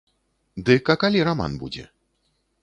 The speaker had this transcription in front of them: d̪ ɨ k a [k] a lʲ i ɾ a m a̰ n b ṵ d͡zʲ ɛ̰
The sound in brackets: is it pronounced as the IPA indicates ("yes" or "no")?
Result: yes